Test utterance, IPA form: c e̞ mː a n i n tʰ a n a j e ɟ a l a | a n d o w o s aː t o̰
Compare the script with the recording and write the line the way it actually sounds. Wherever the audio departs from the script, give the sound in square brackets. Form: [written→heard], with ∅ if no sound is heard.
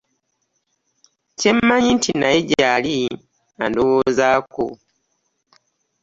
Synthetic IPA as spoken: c e̞ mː a [n→ɲ] i n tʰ [a→i] n a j e ɟ a l [a→i] | a n d o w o [s→z] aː [t→k] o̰

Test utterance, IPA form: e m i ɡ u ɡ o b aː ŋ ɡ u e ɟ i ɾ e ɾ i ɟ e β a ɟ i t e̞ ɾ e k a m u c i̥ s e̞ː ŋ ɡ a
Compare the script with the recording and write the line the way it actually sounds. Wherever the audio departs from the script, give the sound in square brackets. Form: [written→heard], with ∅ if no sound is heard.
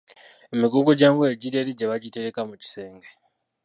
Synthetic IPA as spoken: e m i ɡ u ɡ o [b→ɟ] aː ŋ ɡ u e ɟ i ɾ e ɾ i ɟ e β a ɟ i t e̞ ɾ e k a m u c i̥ s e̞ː ŋ ɡ [a→e]

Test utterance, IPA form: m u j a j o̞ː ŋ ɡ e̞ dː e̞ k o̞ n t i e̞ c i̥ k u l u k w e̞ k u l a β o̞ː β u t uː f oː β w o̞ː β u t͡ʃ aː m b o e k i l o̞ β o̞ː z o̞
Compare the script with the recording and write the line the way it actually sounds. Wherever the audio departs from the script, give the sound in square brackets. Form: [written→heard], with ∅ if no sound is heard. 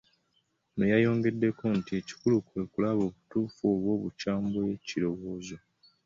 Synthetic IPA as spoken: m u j a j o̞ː ŋ ɡ e̞ dː e̞ k o̞ n t i e̞ c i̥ k u l u k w e̞ k u l a β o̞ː β u t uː f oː β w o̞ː β u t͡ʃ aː m b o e [k→c] i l o̞ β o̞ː z o̞

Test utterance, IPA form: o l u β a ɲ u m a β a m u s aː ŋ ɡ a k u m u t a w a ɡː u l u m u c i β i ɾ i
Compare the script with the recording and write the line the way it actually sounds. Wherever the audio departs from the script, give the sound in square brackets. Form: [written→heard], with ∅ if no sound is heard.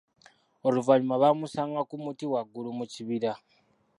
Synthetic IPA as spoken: o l u [β→v] a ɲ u m a β a m u s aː ŋ ɡ a k u m u t [a→i] w a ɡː u l u m u c i β i ɾ [i→a]

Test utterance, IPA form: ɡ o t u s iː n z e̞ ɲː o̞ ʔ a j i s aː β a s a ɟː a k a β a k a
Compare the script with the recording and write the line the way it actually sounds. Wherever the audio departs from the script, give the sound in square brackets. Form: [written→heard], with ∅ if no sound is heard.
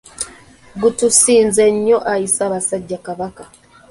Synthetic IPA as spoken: ɡ [o→u] t u s iː n z e̞ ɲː o̞ ʔ a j i s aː β a s a ɟː a k a β a k a

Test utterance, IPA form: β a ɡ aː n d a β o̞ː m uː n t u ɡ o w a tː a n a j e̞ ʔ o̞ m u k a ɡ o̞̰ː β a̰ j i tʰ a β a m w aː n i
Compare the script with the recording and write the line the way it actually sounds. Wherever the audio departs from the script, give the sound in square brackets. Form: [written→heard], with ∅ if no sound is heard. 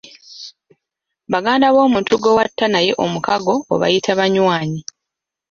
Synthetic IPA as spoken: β a ɡ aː n d a β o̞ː m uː n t u ɡ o w a tː a n a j e̞ ʔ o̞ m u k a ɡ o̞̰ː β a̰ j i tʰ a β a [m→ɲ] w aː [n→ɲ] i

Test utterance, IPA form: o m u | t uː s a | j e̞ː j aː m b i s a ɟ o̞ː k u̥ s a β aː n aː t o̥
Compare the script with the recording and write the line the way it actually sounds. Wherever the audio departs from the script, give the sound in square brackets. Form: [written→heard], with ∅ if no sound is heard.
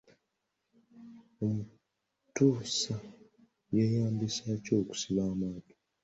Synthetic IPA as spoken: o m u | t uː s a | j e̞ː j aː m b i s a [ɟ→c] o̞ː k u̥ s [a→i] β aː [n→m] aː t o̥

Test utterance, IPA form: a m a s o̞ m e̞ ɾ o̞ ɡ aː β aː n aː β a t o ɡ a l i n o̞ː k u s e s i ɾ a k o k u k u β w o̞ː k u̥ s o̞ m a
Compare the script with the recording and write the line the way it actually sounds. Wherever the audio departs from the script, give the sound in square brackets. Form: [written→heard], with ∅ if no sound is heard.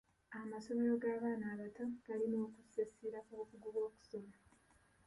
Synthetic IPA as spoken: a m a s o̞ m e̞ ɾ o̞ ɡ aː β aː n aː β a t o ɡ a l i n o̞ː k u s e s i ɾ a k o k u [k→ɡ] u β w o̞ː k u̥ s o̞ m a

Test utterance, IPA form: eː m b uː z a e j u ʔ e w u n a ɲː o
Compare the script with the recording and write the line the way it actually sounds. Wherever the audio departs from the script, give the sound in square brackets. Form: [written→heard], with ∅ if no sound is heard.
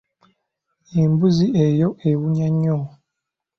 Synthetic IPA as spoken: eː m b [uː→u] z [a→i] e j [u→o] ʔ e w u [n→ɲ] a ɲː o

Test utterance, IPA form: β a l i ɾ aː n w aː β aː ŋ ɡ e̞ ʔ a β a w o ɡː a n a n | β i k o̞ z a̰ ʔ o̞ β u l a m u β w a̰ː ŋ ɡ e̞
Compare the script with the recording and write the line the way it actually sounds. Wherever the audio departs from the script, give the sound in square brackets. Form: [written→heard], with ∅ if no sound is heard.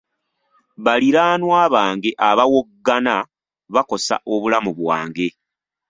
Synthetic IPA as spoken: β a l i ɾ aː n w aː β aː ŋ ɡ e̞ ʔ a β a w o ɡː a n a [n→∅] | β [i→a] k o̞ [z→s] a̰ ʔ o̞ β u l a m u β w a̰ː ŋ ɡ e̞

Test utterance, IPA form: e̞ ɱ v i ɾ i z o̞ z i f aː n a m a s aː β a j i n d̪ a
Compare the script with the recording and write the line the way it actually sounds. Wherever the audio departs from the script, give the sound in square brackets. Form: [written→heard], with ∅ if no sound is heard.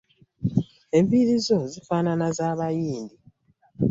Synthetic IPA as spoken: e̞ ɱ v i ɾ i z o̞ z i f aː n a [m→n] a [s→z] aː β a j [i→iː] n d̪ [a→i]

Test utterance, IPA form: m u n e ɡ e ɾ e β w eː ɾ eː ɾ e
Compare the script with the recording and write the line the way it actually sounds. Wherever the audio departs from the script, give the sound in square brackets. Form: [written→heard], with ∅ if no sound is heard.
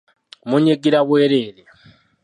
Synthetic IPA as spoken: m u [n→ɲ] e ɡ [e→i] ɾ [e→a] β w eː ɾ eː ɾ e

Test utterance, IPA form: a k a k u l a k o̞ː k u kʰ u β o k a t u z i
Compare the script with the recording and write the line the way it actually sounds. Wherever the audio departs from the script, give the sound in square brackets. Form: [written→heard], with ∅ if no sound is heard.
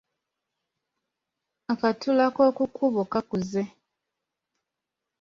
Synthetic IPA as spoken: a k a [k→t] u l a k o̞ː k u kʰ u β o k a [t→k] u z [i→e]

